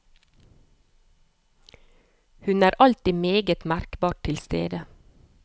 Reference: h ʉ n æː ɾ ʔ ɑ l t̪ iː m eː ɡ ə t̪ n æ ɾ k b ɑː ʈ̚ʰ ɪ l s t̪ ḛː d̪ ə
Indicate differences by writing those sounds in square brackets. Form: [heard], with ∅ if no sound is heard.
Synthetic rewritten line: h ʉ n æː ɾ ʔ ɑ l t̪ iː m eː ɡ ə t̪ [m] æ ɾ k b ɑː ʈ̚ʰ ɪ l s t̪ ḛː d̪ ə